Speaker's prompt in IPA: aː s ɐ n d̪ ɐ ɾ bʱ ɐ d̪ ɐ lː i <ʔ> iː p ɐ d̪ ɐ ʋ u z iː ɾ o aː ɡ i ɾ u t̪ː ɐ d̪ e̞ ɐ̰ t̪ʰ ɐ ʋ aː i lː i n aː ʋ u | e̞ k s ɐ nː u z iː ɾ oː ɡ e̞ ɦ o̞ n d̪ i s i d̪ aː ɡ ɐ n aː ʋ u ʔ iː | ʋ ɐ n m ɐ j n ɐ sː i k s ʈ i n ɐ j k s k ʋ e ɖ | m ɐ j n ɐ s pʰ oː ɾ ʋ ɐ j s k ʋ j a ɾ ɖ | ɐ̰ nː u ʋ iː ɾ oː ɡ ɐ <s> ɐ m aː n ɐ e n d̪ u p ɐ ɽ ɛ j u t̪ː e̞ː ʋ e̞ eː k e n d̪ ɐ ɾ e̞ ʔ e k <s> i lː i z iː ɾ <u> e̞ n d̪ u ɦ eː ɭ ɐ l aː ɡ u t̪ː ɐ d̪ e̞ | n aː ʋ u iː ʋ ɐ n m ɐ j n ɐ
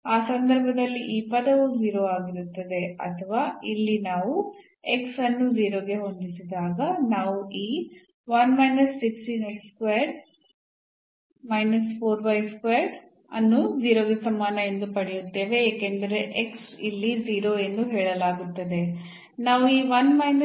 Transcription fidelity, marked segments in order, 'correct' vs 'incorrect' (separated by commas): correct, correct, correct, incorrect